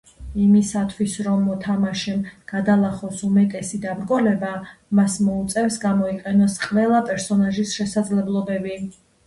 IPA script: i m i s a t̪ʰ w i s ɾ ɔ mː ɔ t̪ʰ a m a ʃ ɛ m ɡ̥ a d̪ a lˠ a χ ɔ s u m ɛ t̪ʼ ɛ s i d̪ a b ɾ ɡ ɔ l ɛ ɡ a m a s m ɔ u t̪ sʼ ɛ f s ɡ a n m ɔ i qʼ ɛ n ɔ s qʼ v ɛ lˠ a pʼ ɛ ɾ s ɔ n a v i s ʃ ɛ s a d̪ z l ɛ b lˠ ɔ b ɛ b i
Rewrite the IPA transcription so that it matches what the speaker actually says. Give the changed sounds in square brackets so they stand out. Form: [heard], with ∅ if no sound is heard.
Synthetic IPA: i m i s a t̪ʰ w i s ɾ ɔ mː ɔ t̪ʰ a m a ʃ ɛ m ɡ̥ a d̪ a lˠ a χ ɔ s u m ɛ t̪ʼ ɛ s i d̪ a b ɾ ɡ ɔ l ɛ [b] a m a s m ɔ u t̪ sʼ ɛ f s ɡ a [∅] m ɔ i qʼ ɛ n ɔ s qʼ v ɛ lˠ a pʼ ɛ ɾ s ɔ n a [ʒ] i s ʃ ɛ s a d̪ z l ɛ b lˠ ɔ b ɛ b i